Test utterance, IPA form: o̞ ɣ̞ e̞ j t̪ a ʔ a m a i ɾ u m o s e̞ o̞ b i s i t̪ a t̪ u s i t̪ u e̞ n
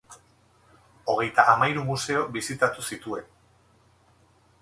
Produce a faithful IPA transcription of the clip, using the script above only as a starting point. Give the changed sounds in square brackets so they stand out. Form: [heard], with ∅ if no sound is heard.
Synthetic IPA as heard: o̞ ɣ̞ e̞ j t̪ a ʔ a m a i ɾ u m [u] s e̞ o̞ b i s i t̪ a t̪ u s i t̪ u e̞ n